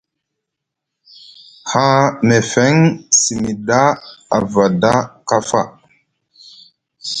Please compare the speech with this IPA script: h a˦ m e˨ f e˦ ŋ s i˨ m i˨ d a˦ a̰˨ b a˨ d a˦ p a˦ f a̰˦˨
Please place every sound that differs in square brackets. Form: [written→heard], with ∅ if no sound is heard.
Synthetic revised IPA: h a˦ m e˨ f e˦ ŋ s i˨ m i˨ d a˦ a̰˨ [b→v] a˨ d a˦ [p→k] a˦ f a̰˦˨